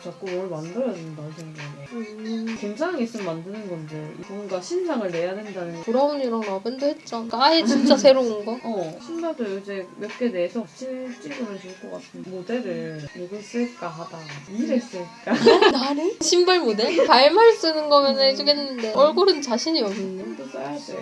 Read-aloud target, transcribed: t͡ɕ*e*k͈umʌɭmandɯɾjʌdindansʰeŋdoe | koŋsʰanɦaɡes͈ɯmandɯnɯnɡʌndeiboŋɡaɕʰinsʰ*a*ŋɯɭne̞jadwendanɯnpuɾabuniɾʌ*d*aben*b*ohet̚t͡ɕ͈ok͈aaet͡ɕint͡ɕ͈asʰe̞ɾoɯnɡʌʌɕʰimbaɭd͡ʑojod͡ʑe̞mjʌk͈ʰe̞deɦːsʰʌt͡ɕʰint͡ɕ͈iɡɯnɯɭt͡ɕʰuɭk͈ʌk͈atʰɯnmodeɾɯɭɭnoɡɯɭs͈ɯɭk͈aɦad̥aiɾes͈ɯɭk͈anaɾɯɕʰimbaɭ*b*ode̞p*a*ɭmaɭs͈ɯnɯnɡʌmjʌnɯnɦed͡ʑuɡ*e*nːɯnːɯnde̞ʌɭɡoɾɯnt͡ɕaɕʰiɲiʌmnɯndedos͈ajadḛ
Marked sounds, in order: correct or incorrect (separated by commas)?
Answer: incorrect, correct, incorrect, incorrect, incorrect, correct, correct